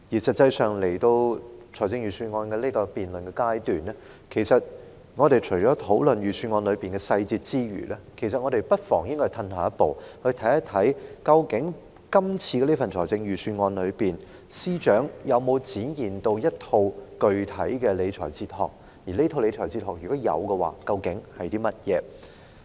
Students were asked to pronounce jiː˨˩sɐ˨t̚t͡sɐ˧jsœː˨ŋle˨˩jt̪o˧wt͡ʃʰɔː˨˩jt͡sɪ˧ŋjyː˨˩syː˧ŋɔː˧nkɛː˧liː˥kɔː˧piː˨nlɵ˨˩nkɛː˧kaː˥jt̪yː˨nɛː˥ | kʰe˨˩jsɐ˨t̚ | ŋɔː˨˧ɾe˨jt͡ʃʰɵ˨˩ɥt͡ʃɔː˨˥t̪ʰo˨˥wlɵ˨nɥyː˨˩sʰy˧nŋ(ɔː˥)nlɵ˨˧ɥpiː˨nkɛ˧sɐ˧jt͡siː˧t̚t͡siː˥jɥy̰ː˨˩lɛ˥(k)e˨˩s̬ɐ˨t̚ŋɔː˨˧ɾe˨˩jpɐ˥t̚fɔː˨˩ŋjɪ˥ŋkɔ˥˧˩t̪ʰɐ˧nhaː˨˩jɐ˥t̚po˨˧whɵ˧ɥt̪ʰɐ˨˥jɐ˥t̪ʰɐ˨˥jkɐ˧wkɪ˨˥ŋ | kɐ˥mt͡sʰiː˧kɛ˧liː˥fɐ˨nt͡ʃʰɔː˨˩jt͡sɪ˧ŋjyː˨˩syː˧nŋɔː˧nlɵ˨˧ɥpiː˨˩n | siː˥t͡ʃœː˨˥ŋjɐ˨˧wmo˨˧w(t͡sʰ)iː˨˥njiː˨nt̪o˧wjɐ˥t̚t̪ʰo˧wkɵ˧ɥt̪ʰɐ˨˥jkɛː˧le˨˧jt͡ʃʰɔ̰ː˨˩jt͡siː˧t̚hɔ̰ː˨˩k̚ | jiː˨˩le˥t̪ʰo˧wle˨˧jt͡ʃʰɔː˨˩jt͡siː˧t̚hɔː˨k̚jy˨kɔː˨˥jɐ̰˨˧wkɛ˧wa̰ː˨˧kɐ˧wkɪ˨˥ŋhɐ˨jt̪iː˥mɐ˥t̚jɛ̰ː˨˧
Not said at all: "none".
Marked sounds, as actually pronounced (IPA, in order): ɔː˧, kʰ, t͡s

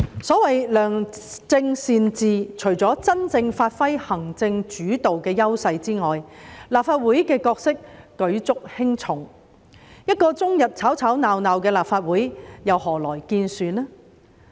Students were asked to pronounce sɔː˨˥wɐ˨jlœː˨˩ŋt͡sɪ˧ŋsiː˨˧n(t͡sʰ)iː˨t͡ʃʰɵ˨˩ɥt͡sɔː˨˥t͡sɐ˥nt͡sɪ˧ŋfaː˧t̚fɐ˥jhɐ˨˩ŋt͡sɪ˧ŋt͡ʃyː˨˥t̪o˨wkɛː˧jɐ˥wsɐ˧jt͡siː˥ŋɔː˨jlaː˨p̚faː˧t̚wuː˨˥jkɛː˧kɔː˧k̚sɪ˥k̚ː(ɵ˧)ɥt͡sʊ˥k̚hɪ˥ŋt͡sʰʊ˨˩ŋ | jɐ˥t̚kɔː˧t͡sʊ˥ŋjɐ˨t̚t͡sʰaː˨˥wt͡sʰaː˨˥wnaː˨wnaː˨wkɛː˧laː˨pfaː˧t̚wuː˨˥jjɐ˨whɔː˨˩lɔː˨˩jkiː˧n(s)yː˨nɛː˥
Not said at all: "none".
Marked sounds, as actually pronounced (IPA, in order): t͡s, ɵ˨˥, s

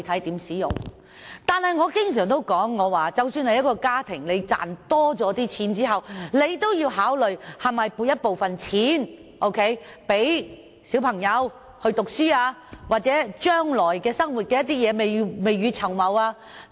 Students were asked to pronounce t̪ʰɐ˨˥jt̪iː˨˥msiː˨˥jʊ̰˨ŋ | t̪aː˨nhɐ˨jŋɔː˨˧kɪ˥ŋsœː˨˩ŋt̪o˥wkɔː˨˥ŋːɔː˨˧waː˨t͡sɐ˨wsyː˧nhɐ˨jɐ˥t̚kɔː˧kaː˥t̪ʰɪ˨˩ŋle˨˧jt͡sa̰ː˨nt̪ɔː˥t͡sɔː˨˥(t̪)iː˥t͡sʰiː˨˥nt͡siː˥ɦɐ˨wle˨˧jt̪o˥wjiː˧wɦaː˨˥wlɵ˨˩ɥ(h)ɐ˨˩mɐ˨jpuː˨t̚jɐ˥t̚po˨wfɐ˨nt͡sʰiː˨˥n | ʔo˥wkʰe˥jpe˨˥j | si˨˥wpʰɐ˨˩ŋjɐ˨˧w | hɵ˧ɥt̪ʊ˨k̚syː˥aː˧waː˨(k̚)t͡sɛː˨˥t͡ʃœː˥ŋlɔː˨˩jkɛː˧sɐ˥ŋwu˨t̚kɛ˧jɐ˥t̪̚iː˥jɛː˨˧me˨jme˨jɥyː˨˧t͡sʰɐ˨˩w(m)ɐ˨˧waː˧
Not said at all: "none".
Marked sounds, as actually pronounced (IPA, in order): t̪, h, t̚, m

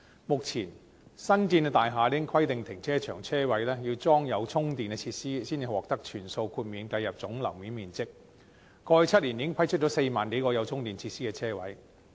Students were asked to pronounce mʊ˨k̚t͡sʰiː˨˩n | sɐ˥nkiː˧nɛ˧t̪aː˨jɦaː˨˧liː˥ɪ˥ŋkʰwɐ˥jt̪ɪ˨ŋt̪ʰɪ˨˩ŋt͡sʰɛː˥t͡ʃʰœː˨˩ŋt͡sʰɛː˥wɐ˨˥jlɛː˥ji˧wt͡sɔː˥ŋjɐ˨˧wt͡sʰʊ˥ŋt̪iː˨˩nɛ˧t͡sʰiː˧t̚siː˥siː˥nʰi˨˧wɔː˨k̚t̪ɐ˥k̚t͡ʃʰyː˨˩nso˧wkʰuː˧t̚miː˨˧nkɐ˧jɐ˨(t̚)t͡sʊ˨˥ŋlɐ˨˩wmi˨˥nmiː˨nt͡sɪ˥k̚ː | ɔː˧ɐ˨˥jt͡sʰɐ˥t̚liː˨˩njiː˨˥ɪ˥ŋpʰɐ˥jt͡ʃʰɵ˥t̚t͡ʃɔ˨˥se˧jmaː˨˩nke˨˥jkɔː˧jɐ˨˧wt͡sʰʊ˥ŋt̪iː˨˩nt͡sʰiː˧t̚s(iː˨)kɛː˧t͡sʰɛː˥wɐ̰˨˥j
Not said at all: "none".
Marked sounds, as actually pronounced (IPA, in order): p̚, iː˥

